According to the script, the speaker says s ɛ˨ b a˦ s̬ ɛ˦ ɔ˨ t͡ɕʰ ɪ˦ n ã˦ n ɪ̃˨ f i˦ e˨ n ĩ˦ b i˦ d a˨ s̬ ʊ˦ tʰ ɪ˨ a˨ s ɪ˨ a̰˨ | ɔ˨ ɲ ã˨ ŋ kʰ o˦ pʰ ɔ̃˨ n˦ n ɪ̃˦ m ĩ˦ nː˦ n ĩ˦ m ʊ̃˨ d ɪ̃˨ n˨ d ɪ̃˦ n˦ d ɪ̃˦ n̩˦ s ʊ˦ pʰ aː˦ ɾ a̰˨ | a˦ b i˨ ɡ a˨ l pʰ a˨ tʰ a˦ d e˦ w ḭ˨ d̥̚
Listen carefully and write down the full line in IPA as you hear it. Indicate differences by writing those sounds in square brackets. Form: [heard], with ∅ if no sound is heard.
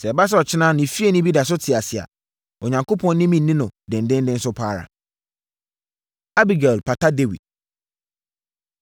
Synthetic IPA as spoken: s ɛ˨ b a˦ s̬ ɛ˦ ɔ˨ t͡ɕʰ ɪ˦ n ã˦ n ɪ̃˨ f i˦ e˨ n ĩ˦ b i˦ d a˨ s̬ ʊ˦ tʰ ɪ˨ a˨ s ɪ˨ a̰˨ | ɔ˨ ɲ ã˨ ŋ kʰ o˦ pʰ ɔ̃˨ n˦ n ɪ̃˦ m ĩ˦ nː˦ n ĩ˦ [n] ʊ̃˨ d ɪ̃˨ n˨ d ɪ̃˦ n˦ d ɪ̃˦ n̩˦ s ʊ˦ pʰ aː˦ ɾ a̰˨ | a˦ b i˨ ɡ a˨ l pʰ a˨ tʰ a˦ d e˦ w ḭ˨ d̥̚